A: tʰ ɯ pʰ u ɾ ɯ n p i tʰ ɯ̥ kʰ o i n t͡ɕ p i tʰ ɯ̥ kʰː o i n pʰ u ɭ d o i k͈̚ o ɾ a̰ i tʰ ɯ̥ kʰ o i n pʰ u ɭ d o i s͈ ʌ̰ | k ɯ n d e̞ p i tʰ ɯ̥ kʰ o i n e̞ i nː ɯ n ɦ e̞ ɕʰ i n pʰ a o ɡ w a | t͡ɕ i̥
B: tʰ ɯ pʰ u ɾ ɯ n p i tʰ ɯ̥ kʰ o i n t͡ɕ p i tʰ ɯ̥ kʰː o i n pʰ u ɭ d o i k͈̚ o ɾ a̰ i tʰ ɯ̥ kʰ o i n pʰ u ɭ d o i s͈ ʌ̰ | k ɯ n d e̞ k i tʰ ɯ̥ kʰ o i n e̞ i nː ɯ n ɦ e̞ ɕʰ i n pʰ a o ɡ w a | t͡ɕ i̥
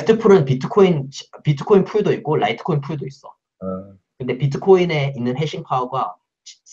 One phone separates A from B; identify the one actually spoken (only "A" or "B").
A